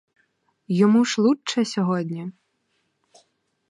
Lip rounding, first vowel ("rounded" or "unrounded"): rounded